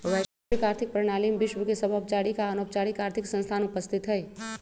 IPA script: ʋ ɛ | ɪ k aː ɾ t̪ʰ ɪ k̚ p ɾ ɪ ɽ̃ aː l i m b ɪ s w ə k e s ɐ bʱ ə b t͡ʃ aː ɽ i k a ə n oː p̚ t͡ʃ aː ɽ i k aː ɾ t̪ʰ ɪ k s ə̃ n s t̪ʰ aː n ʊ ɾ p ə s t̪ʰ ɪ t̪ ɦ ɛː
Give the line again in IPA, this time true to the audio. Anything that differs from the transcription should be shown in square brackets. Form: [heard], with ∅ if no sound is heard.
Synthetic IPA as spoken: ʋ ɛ | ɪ k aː ɾ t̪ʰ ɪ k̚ p ɾ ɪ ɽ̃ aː l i m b ɪ [ʃ] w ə k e s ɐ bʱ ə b t͡ʃ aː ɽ i k a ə n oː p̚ t͡ʃ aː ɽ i k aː ɾ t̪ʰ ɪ k s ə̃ n s t̪ʰ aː n ʊ [∅] p ə s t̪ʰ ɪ t̪ ɦ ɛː